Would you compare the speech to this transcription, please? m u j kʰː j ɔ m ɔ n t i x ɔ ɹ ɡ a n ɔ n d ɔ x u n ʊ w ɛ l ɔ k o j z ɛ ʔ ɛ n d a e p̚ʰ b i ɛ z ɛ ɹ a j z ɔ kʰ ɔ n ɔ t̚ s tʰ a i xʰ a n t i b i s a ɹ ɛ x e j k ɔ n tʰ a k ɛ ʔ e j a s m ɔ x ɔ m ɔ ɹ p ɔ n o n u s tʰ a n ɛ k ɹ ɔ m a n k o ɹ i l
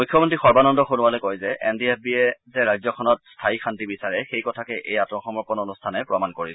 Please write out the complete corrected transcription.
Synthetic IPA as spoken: m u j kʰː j ɔ m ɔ n t i x ɔ ɹ b a n ɔ n d ɔ x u n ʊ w a l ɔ k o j z ɛ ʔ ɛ n d i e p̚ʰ b i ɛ z ɛ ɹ a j z ɔ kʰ ɔ n ɔ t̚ s tʰ a i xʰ a n t i b i s a ɹ ɛ x e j k ɔ tʰ a k ɛ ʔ e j a t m ɔ x ɔ m ɔ ɹ p ɔ n o n u s tʰ a n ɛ p ɹ ɔ m a n k o ɹ i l